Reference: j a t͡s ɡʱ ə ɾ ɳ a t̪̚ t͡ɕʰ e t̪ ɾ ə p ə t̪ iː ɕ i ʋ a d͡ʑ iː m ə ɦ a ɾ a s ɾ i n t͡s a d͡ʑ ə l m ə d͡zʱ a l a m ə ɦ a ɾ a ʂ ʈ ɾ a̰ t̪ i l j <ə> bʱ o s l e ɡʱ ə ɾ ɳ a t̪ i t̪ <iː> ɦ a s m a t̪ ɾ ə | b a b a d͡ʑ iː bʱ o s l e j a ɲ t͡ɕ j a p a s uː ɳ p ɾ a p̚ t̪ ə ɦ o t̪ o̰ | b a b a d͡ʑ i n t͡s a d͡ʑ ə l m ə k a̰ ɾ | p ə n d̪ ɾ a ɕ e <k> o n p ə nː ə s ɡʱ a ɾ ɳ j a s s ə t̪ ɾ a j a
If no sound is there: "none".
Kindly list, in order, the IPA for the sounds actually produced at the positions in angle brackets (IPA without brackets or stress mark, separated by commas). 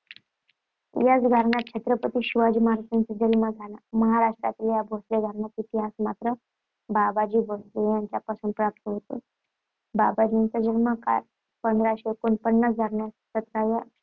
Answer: a, i, k